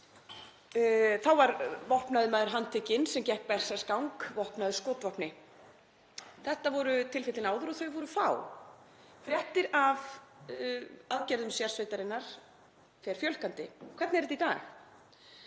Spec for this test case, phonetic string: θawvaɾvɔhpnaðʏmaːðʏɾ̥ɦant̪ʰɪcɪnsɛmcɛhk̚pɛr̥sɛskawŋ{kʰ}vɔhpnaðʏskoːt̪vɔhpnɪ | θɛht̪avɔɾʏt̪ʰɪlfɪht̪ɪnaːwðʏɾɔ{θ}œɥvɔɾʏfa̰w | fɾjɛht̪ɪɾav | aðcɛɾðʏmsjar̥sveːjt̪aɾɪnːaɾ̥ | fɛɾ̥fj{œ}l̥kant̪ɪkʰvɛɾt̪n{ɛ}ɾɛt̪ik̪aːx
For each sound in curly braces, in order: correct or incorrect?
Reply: incorrect: k, correct, correct, correct

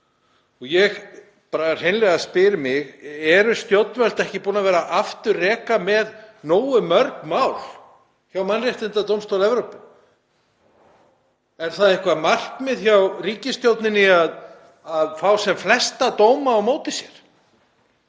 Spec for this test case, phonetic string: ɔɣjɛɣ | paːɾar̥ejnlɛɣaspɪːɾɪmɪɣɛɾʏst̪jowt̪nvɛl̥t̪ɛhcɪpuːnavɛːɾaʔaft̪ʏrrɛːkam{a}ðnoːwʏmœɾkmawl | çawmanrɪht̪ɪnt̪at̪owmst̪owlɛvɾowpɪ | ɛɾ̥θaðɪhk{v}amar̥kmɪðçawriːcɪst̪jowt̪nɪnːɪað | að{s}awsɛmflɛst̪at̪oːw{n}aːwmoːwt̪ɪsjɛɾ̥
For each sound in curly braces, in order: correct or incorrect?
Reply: incorrect: ɛ, correct, incorrect: f, incorrect: m

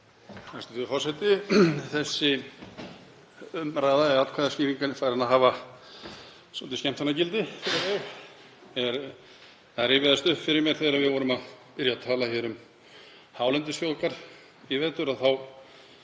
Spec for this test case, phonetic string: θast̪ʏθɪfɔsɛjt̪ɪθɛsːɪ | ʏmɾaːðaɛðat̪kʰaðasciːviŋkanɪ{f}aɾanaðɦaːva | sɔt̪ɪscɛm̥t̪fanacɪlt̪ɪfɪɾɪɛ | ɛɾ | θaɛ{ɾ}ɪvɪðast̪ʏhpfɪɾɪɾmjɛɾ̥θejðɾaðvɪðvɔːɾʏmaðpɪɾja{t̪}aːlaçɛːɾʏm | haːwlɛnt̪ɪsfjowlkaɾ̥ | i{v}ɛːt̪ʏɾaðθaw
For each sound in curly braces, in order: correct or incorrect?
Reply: correct, correct, incorrect: t̪ʰ, correct

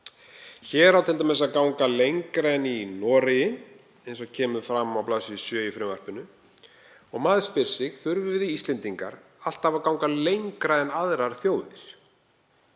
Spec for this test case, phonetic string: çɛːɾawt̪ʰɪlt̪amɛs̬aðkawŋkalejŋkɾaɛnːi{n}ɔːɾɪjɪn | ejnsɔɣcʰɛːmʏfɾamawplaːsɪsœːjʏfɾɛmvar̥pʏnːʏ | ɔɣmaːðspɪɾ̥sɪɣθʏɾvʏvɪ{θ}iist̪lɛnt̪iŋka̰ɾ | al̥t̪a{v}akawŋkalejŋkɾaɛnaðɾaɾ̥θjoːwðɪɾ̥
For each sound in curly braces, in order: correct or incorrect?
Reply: correct, incorrect: ð, correct

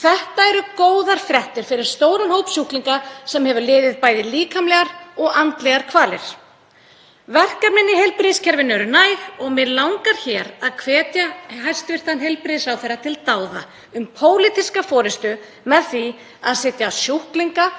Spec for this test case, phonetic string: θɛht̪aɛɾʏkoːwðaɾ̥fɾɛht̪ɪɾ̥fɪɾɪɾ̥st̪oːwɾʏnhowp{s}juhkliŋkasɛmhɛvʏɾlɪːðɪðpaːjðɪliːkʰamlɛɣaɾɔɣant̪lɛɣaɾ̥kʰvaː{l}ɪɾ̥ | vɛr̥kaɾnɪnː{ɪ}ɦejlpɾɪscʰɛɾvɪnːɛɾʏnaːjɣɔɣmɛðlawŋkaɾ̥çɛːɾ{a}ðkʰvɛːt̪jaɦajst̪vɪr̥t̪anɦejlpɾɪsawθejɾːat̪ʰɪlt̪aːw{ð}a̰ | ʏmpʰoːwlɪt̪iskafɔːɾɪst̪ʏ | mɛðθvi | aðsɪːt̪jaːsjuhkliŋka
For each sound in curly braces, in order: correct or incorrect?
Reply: correct, correct, correct, correct, correct

